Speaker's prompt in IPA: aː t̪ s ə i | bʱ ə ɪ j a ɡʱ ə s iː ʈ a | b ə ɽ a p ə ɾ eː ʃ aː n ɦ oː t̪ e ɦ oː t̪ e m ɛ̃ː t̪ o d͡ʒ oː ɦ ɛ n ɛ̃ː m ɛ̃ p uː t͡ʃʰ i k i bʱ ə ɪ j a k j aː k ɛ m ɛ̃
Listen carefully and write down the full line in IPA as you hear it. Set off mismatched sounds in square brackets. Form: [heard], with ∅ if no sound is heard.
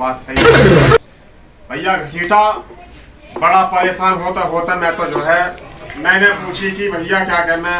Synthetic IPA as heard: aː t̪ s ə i | bʱ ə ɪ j a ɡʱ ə s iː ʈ a | b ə ɽ a p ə ɾ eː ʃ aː n ɦ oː t̪ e ɦ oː t̪ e m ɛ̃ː t̪ o d͡ʒ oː ɦ ɛ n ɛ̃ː [n] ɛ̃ p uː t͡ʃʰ i k i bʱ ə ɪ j a k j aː k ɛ m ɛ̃